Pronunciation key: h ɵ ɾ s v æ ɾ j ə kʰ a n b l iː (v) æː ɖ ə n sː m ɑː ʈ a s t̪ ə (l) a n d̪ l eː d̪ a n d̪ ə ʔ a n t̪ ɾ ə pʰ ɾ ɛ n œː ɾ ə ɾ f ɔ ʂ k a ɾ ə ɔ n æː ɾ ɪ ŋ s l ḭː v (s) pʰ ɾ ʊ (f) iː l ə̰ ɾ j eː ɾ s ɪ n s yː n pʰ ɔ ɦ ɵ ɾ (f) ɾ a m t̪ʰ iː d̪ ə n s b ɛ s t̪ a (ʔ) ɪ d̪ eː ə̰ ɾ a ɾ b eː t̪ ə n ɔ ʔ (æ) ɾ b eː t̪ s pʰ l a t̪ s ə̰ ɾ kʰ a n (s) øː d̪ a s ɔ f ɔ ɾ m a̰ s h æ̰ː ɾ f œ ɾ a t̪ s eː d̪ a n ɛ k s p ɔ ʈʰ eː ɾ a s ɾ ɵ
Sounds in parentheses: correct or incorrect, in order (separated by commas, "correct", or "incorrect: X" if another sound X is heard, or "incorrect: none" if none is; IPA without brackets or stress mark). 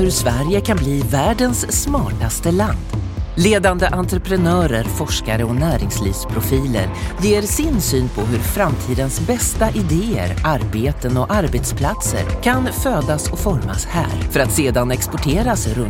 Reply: correct, correct, correct, correct, correct, correct, incorrect: a, incorrect: f